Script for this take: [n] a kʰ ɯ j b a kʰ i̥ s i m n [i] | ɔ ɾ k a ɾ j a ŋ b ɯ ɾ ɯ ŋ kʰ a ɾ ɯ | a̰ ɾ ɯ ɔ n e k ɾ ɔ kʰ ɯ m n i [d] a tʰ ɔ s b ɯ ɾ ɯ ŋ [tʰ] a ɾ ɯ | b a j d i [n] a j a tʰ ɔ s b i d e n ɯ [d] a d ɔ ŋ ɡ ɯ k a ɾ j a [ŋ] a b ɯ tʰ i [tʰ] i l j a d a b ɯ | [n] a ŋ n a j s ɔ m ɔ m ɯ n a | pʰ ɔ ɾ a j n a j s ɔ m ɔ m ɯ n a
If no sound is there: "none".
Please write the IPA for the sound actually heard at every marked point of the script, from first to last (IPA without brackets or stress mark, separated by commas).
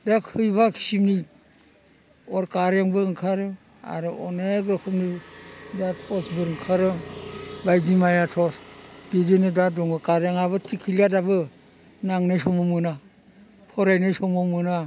d, i, d, kʰ, m, d, ŋ, kʰ, n